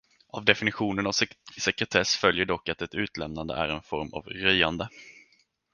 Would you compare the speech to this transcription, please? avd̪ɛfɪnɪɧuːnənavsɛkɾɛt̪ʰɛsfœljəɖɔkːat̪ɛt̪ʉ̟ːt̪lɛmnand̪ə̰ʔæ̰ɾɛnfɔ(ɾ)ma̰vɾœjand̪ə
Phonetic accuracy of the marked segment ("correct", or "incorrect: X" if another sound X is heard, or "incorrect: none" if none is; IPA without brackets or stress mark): correct